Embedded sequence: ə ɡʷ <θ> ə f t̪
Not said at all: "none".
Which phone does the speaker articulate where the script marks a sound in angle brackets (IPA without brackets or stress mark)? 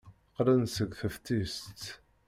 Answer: θ